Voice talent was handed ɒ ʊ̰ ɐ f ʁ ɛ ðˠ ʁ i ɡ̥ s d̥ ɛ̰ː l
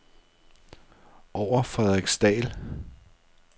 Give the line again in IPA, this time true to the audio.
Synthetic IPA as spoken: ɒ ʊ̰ ɐ f ʁ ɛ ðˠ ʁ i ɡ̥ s d̥ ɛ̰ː l